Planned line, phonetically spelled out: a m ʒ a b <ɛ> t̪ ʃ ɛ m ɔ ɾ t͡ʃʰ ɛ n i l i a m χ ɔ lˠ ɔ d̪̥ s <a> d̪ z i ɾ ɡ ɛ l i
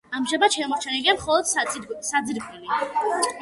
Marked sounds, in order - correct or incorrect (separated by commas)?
incorrect, correct